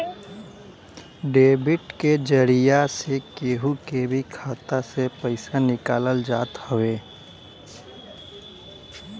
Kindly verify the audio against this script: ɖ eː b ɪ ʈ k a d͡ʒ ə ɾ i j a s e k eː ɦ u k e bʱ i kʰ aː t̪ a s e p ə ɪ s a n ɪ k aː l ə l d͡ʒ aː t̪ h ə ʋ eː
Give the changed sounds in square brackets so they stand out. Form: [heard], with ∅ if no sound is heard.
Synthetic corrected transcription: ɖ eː b ɪ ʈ k [e] d͡ʒ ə ɾ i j a s e k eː ɦ u k e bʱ i kʰ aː t̪ a s e p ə ɪ s a n ɪ k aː l ə l d͡ʒ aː t̪ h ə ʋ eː